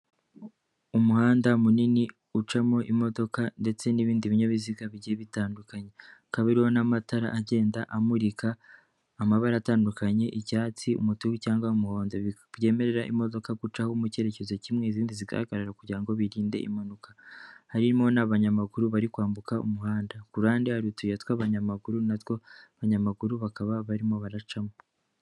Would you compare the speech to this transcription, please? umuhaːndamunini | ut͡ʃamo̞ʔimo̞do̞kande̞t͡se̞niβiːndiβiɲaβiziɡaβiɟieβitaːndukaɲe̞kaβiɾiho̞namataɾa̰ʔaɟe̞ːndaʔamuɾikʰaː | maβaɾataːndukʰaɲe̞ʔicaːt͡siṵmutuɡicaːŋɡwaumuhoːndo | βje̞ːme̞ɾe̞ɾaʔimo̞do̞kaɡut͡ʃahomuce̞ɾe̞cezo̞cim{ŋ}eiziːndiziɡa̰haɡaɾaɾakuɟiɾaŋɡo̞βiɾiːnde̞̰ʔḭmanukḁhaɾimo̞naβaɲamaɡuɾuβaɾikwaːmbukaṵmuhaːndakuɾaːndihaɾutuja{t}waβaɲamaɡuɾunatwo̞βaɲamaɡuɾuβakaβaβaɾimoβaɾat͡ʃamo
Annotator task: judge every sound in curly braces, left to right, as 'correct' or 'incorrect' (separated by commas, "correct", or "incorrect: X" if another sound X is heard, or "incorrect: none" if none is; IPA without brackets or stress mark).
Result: correct, correct